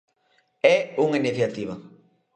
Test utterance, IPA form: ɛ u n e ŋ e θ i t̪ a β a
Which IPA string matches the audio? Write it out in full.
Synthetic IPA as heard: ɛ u ŋ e n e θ a t̪ i β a

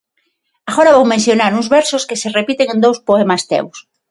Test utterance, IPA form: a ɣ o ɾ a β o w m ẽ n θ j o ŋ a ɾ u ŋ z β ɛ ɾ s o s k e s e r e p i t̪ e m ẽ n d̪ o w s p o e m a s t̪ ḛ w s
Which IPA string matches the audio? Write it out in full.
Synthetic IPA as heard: a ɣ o ɾ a β o w m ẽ n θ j o n a ɾ u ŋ z β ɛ ɾ s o s k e s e r e p i t̪ e ŋ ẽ n d̪ o w s p o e m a s t̪ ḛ w s

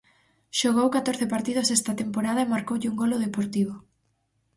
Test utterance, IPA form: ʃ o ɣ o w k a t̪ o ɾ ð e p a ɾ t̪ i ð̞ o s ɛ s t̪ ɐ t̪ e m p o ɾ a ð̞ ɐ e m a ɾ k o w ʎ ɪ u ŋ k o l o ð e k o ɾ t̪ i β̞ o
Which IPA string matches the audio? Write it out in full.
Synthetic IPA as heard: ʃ o ɣ o w k a t̪ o ɾ θ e p a ɾ t̪ i ð̞ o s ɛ s t̪ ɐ t̪ e m p o ɾ a ð̞ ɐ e m a ɾ k o w ʎ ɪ u ŋ ɡ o l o ð e p o ɾ t̪ i β̞ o

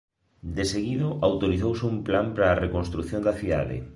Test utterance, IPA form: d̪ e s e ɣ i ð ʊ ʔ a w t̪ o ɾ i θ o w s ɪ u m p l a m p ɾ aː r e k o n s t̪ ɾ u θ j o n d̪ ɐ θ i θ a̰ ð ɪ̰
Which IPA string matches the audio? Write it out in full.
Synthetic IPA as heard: d̪ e s e ɣ i ð ʊ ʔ a w t̪ o ɾ i θ o w s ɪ u m p l a m p ɾ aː r e k o n s t̪ ɾ u θ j o n d̪ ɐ θ i ð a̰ ð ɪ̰

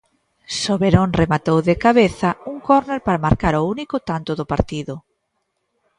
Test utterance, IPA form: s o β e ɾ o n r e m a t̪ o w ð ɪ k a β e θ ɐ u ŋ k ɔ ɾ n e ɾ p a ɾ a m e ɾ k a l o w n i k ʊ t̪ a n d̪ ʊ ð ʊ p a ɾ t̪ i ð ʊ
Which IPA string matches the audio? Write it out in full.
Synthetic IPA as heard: s o β e ɾ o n r e m a t̪ o w ð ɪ k a β e θ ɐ u ŋ k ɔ ɾ n e ɾ p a ɾ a m a ɾ k a ɾ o u n i k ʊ t̪ a n t̪ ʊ ð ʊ p a ɾ t̪ i ð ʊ

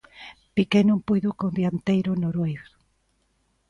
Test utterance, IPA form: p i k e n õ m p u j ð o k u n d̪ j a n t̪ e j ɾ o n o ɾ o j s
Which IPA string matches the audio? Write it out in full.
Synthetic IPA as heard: p i k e n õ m p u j ð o k o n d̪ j a n t̪ e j ɾ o n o ɾ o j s

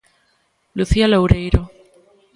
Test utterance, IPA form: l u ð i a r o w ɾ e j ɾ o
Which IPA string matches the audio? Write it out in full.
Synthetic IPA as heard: l u θ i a l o w ɾ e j ɾ o

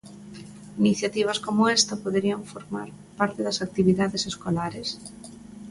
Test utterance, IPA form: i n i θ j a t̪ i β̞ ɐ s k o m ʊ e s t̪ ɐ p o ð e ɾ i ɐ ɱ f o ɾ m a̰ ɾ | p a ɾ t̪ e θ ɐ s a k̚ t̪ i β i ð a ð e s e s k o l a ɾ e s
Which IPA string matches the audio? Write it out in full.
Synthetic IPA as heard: i n i θ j a t̪ i β̞ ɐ s k o m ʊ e s t̪ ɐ p o ð e ɾ i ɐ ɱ f o ɾ m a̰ ɾ | p a ɾ t̪ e ð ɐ s a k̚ t̪ i β i ð a ð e s e s k o l a ɾ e s

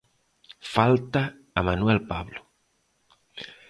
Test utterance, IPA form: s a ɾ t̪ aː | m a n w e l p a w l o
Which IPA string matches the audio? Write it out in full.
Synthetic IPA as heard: f a l t̪ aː | m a n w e l p a β l o

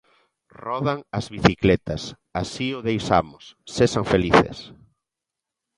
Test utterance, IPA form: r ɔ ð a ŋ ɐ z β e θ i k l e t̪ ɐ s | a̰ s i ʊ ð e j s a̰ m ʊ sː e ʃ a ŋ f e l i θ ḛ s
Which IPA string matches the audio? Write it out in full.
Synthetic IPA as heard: r ɔ ð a ŋ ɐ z β i θ i k l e t̪ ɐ s | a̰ s i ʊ ð e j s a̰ m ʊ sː e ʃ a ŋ f e l i θ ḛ s

